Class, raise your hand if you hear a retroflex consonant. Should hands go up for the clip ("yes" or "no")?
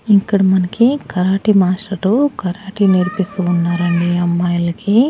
yes